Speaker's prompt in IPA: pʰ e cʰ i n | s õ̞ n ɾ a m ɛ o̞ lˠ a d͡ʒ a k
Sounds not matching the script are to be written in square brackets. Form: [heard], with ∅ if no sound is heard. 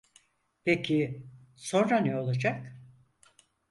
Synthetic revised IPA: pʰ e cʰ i [∅] | s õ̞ n ɾ a [n] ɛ o̞ lˠ a d͡ʒ a k

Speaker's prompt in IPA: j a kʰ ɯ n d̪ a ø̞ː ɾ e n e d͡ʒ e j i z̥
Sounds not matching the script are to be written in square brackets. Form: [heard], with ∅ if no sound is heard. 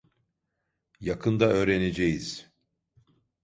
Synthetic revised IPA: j a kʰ ɯ n d̪ a ø̞ː ɾ e n e d͡ʒ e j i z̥

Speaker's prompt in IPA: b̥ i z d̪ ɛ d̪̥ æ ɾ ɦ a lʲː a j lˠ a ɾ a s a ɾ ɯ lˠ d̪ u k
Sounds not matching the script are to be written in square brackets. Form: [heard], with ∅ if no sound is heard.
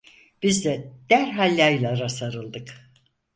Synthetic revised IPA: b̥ i z d̪ ɛ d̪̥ æ ɾ ɦ a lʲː a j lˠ a ɾ a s a ɾ ɯ lˠ d̪ [ɯ] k

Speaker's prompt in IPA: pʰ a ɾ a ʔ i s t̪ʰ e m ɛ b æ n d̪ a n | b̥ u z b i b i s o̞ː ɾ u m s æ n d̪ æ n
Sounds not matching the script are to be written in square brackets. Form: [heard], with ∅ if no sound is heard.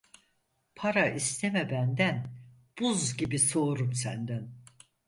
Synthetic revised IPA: pʰ a ɾ a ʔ i s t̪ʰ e m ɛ b æ n d̪ [æ] n | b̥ u z [ɟ] i b i s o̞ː ɾ u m s æ n d̪ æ n

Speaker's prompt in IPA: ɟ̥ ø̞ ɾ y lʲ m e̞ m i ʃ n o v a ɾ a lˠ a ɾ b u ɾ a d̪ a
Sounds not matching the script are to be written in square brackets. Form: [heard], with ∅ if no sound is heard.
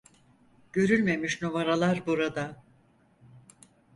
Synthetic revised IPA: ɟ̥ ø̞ ɾ y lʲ m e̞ m i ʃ n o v a ɾ a lˠ a ɾ b u ɾ a d̪ a

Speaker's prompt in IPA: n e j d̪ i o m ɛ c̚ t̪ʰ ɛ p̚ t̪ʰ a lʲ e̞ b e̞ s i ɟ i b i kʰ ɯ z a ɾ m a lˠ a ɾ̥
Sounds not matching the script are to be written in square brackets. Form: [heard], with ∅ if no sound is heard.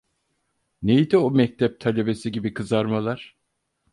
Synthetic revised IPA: n e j d̪ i o m ɛ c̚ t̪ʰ ɛ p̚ t̪ʰ a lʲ e̞ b e̞ s i ɟ i b i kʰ ɯ z a ɾ m a lˠ a ɾ̥

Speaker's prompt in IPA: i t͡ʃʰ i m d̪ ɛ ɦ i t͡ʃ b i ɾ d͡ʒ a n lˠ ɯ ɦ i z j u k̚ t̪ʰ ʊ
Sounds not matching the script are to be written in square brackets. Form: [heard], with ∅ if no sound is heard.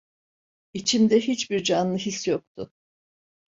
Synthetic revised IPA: i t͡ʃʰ i m d̪ ɛ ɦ i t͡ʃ b i ɾ d͡ʒ a n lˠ ɯ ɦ i [s] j [o] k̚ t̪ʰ ʊ

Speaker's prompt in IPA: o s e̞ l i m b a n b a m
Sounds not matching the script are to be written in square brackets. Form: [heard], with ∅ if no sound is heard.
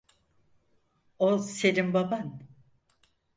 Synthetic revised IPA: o s e̞ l i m b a [∅] b a [n]

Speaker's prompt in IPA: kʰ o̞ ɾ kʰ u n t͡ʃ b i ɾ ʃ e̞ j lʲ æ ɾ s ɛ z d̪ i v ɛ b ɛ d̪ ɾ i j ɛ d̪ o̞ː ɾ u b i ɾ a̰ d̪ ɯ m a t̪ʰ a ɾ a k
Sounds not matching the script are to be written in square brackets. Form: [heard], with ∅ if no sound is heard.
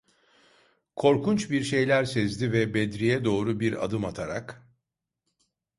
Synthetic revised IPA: kʰ o̞ ɾ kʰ u n t͡ʃ b i ɾ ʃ e̞ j lʲ æ ɾ s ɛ z d̪ i v ɛ b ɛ d̪ ɾ i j ɛ d̪ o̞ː ɾ u b i ɾ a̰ d̪ ɯ m a t̪ʰ a ɾ a k

